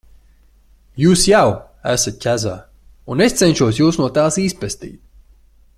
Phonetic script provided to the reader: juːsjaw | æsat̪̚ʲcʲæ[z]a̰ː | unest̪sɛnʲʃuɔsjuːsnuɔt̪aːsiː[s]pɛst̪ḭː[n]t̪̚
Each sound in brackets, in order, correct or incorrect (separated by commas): correct, correct, incorrect